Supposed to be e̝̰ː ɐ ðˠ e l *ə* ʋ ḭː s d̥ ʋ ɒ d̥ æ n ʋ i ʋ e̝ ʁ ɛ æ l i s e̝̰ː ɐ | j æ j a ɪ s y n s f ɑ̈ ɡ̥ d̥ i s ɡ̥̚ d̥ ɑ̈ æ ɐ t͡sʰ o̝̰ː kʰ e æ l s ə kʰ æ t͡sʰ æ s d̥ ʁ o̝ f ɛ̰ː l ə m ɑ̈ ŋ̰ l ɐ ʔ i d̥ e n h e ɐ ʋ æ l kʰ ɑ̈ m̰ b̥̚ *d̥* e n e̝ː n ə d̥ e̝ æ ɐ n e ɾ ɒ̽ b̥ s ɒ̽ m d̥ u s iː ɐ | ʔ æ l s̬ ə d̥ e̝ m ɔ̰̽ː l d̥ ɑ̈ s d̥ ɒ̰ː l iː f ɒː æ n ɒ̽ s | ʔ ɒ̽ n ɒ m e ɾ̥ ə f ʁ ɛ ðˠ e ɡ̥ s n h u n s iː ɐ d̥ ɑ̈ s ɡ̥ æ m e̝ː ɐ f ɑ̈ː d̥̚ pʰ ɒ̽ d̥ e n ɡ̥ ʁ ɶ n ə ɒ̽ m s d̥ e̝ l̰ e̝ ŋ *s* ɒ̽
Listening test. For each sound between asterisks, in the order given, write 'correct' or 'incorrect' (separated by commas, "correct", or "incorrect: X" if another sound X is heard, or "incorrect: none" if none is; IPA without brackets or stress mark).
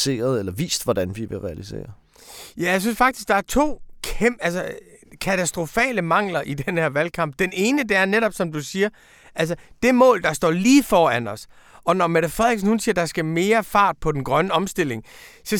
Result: incorrect: ɐ, correct, correct